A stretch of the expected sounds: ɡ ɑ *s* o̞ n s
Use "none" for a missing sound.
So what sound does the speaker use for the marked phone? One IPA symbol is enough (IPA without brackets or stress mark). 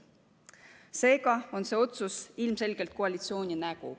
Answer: none